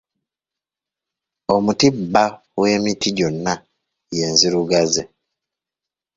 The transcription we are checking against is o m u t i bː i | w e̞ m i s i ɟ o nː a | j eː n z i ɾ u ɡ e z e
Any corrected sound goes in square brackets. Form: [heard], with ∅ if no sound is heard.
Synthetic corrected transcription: o m u t i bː [a] | w e̞ m i [t] i ɟ o nː a | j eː n z i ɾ u ɡ [a] z e